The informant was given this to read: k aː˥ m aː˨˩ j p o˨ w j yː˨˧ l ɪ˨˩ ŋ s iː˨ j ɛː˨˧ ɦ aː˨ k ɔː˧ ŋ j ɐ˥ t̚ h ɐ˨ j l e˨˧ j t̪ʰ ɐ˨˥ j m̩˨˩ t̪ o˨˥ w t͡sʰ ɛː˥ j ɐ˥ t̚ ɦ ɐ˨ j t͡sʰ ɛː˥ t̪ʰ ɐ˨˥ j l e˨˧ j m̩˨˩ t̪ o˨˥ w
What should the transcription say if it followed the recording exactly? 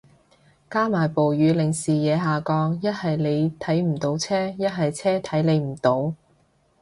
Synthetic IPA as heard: k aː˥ m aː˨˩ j p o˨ w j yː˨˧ l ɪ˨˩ ŋ s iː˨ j ɛː˨˧ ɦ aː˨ k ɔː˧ ŋ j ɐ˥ t̚ h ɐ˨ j l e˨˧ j t̪ʰ ɐ˨˥ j m̩˨˩ t̪ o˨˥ w t͡sʰ ɛː˥ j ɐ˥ t̚ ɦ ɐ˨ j t͡sʰ ɛː˥ t̪ʰ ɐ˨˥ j l e˨˧ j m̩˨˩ t̪ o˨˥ w